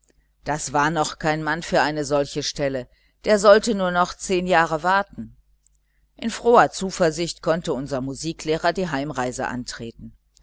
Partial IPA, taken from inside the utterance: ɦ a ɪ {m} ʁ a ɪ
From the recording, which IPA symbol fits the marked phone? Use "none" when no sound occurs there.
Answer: m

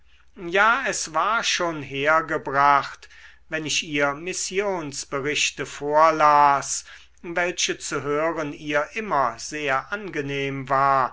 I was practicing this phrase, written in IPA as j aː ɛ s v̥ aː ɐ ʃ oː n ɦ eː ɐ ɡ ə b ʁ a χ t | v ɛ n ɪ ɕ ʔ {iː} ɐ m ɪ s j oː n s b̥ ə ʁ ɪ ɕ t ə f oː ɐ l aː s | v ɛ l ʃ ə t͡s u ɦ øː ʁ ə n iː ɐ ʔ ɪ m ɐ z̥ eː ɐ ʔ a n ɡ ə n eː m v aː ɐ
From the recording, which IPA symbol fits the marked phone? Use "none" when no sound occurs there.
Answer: iː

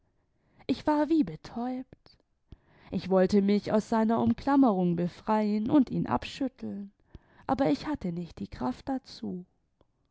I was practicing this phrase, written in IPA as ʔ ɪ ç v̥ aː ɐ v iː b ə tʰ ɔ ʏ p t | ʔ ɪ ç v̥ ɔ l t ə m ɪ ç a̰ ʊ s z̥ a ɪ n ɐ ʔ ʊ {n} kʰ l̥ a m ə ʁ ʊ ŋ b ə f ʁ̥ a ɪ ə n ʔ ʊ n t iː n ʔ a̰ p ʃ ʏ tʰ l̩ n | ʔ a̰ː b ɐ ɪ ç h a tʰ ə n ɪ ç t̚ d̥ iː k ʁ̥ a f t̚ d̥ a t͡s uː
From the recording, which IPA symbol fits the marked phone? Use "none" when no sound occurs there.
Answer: m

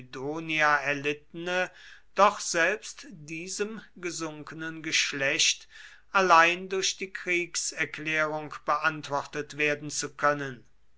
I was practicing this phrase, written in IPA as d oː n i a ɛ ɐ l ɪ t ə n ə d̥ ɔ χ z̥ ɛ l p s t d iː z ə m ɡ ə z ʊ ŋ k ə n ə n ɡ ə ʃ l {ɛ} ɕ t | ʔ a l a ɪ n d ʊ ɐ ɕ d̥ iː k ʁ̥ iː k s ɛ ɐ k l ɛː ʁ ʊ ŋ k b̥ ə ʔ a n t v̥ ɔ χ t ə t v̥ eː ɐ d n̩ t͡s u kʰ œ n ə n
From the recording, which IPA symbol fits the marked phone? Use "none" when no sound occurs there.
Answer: ɛ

